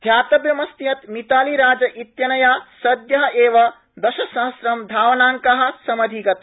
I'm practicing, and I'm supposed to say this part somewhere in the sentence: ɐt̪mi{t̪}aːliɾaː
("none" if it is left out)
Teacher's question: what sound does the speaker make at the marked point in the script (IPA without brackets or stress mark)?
t̪